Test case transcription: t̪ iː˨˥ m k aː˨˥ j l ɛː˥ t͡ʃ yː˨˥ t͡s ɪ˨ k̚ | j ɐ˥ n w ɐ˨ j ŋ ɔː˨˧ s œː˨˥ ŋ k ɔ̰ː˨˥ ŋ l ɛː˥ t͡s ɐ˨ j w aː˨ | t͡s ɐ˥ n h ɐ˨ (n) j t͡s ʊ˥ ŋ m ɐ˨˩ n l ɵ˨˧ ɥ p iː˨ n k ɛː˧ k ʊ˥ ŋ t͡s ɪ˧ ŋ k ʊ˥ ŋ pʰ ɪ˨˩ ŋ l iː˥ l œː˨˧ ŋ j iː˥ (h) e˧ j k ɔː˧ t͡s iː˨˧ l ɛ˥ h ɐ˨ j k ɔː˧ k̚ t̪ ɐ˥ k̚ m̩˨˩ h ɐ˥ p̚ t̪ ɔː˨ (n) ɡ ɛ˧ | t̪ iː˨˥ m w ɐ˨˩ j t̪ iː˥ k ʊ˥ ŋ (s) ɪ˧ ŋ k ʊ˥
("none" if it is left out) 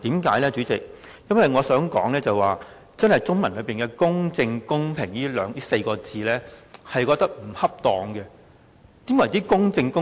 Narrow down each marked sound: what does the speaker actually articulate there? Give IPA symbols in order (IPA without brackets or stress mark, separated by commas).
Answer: none, s, ŋ, t͡s